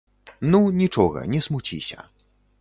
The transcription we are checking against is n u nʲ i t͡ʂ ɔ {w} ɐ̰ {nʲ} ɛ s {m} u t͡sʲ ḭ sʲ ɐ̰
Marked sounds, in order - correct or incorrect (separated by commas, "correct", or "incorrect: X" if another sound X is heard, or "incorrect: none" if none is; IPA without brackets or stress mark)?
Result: incorrect: ɣ, correct, correct